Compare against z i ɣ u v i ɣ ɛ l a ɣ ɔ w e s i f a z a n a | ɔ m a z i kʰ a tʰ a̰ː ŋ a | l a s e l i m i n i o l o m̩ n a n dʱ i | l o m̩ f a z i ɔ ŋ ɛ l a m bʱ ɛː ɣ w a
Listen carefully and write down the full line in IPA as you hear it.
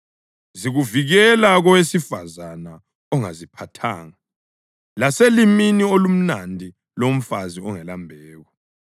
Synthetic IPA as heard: z i ɣ u v i ɣ ɛ l a ɣ ɔ w e s i f a z a n a | ɔ ŋ a z i pʰ a tʰ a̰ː ŋ a | l a s e l i m i n i o l u m̩ n a n dʱ i | l o m̩ f a z i ɔ ŋ ɛ l a m bʱ ɛː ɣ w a